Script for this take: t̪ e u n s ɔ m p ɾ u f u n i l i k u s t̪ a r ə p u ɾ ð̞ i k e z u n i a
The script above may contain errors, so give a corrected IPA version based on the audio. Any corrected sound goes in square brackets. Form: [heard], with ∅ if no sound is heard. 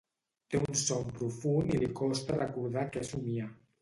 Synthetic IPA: t̪ e u n s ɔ m p ɾ u f u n i l i k [ɔ] s t̪ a r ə [k] u ɾ ð̞ [a] k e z u [m] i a